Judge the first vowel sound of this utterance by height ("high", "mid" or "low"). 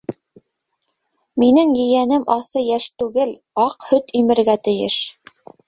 high